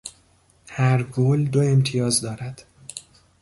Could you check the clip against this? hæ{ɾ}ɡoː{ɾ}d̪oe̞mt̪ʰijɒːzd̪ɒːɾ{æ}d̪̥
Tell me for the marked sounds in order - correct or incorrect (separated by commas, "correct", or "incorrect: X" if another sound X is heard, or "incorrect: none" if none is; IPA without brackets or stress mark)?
correct, incorrect: l, correct